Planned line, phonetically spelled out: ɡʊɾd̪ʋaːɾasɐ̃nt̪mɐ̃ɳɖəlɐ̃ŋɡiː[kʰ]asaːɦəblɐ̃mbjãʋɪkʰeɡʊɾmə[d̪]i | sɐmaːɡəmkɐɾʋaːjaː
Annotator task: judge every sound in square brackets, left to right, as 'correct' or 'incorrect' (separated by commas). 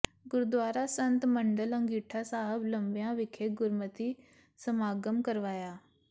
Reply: incorrect, incorrect